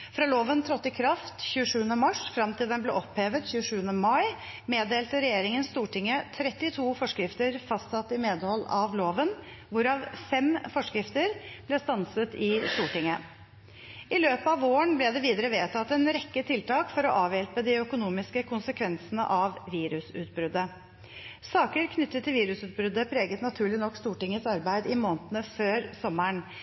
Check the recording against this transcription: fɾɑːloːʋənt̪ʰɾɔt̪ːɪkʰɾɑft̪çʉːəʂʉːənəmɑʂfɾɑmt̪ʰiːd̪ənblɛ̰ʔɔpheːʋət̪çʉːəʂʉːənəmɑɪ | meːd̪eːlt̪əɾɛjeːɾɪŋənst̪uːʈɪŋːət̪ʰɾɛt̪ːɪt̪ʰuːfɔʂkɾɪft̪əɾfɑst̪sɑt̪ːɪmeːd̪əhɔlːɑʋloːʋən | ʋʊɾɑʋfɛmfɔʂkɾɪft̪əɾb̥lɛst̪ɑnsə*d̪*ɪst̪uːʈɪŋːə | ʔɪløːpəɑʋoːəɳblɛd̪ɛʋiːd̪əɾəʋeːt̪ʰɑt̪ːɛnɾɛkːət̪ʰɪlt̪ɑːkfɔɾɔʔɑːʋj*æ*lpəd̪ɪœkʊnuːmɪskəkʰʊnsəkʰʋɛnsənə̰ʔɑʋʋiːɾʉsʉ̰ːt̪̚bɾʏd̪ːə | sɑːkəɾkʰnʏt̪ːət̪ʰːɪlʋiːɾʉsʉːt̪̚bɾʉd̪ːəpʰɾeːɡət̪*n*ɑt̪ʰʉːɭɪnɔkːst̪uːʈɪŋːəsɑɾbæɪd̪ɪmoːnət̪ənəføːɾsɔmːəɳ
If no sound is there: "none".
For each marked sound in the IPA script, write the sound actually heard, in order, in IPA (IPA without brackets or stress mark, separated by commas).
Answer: t̪, ɛ, n